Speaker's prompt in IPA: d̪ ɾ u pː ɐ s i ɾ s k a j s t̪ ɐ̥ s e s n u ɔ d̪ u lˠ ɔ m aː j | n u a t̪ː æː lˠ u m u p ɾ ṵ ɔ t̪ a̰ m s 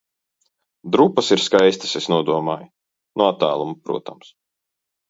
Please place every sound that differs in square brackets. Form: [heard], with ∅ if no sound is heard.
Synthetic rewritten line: d̪ ɾ u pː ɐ s i ɾ s k a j s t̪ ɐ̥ s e s n u ɔ d̪ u [∅] ɔ m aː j | n u a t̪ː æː lˠ u m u p ɾ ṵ ɔ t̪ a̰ m s